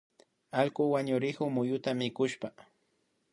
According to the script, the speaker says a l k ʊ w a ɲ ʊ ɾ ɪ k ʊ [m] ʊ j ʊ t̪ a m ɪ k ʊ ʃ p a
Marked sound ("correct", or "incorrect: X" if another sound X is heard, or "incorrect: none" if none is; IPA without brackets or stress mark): correct